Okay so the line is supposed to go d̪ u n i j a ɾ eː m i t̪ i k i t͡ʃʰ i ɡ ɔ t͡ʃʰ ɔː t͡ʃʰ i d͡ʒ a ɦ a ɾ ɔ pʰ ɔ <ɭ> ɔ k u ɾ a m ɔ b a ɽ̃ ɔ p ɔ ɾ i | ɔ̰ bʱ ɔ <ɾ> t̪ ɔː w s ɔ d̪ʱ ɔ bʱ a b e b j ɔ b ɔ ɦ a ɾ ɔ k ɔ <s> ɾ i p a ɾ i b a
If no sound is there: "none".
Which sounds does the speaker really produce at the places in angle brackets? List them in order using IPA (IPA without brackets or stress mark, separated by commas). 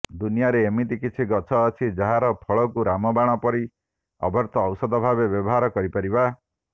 ɭ, ɾ, none